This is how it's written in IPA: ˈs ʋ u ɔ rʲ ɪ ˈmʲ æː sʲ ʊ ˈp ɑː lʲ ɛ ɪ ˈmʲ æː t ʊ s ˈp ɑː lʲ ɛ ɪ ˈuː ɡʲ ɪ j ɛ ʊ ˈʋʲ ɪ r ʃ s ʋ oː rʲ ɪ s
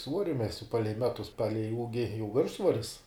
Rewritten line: ˈs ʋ u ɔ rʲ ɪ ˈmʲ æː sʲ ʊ ˈp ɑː lʲ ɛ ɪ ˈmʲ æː t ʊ s ˈp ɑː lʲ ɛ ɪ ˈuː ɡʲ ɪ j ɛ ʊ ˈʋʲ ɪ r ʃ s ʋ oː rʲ ɪ s